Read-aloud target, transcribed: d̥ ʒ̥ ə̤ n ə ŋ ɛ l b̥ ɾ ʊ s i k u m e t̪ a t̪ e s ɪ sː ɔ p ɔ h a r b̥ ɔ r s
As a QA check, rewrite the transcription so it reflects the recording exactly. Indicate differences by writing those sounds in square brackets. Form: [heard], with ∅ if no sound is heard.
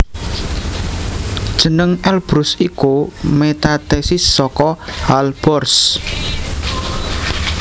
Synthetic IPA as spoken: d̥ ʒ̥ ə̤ n ə ŋ ɛ l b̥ ɾ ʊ s i k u m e t̪ a t̪ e s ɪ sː ɔ [k] ɔ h a [l] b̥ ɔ r s